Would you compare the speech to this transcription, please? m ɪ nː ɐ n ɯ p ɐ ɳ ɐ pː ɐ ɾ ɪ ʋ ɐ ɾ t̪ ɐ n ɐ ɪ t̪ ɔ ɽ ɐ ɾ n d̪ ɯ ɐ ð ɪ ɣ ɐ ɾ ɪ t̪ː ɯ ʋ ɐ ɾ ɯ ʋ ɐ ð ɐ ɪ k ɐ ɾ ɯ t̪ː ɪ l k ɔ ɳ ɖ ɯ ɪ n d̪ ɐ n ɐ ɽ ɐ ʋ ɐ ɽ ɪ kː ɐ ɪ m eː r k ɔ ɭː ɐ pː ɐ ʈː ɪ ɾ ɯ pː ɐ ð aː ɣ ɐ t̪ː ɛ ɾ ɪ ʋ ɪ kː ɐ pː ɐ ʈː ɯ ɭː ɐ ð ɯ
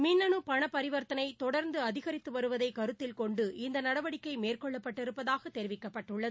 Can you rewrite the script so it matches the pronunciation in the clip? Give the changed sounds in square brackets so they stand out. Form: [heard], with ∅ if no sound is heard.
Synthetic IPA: m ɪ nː ɐ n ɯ p ɐ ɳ ɐ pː ɐ ɾ ɪ ʋ ɐ ɾ t̪ ɐ n ɐ ɪ t̪ ɔ ɽ ɐ ɾ n d̪ ɯ ɐ ð ɪ ɣ ɐ ɾ ɪ t̪ː ɯ ʋ ɐ ɾ ɯ ʋ ɐ ð ɐ ɪ k ɐ ɾ ɯ t̪ː ɪ l k ɔ ɳ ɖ ɯ ɪ n d̪ ɐ n ɐ ɽ ɐ ʋ ɐ ɽ ɪ kː ɐ ɪ m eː r k ɔ ɭː ɐ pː ɐ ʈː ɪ ɾ ɯ pː ɐ ð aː ɣ ɐ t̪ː ɛ ɾ ɪ ʋ ɪ kː ɐ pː ɐ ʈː ɯ ɭː ɐ ð ɯ